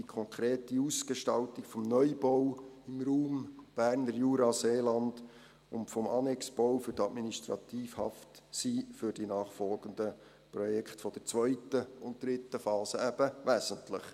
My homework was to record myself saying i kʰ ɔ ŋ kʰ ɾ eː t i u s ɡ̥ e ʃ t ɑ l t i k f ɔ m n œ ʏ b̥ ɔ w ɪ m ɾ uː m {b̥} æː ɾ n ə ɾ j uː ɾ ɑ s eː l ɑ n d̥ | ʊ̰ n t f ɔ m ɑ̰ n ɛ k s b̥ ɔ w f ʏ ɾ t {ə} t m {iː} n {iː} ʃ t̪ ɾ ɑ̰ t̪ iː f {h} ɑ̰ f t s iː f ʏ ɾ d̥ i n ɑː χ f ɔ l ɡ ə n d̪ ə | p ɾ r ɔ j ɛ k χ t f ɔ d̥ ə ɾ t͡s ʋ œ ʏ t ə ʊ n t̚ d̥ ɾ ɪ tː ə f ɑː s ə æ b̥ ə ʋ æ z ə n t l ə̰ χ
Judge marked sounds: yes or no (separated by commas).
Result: yes, no, no, no, yes